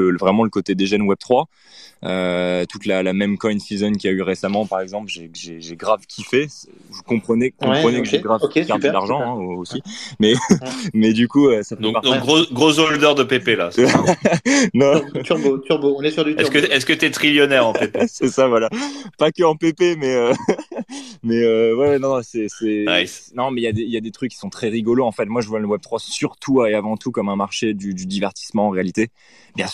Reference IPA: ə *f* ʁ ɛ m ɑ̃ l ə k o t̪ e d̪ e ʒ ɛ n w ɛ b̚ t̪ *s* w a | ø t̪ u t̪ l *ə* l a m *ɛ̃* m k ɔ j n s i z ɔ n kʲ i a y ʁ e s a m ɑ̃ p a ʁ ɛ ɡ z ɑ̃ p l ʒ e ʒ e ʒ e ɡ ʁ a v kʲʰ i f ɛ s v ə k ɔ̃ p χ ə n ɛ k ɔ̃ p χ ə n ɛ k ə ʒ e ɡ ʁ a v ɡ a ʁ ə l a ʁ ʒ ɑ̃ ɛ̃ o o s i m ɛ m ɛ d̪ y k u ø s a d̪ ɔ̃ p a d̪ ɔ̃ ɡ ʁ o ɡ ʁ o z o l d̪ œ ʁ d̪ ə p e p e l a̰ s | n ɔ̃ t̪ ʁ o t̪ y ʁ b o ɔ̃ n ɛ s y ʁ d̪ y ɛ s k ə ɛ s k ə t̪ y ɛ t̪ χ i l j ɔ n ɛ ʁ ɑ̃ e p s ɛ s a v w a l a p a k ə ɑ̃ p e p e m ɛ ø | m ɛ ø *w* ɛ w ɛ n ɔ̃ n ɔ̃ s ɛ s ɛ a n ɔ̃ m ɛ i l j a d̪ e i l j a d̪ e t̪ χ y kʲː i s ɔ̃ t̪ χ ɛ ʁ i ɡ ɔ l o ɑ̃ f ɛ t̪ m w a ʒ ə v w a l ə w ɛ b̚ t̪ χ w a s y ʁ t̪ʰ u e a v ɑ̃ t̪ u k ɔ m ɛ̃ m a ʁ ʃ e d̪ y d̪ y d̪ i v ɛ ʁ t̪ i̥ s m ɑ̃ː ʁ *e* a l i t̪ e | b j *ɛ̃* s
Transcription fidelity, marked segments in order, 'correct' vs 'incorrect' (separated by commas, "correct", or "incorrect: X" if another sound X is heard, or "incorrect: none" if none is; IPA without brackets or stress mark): incorrect: v, incorrect: χ, incorrect: a, incorrect: ɛ, correct, correct, correct